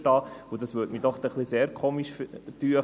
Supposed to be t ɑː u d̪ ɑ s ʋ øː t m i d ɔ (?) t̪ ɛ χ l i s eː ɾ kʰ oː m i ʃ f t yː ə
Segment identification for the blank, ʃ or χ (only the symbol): χ